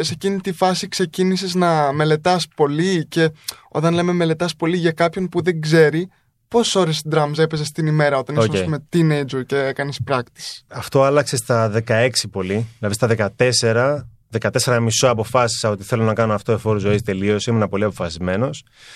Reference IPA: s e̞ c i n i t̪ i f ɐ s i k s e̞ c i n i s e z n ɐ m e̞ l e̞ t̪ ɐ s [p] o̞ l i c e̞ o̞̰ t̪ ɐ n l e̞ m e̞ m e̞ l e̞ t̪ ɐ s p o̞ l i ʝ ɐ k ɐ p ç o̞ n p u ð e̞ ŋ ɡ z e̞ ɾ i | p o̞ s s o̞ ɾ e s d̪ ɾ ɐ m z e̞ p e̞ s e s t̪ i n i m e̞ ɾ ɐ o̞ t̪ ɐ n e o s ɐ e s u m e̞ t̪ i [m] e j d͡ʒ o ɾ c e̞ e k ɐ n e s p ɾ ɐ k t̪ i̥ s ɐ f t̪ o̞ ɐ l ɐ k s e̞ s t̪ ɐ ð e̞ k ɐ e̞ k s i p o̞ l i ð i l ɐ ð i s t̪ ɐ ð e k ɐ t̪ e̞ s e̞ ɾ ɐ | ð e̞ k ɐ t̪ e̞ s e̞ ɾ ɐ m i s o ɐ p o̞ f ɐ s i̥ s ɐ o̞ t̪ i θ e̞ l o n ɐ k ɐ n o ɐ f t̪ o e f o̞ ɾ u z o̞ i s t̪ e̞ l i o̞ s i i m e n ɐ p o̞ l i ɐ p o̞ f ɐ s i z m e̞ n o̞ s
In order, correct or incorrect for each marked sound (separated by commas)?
correct, incorrect